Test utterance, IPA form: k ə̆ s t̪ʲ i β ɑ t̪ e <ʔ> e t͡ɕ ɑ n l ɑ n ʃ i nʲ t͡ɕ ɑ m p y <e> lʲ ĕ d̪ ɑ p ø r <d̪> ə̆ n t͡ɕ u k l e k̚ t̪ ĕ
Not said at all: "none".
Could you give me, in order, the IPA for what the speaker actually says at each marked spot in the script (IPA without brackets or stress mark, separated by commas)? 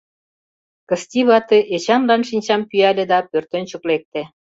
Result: ʔ, æ, t̪